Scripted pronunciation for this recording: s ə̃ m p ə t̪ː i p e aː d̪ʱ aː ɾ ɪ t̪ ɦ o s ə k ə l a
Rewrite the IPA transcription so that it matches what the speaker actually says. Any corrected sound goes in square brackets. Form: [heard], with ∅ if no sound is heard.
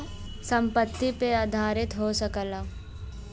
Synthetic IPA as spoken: s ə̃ m p ə t̪ː i p e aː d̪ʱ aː ɾ ɪ t̪ ɦ o s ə k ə l a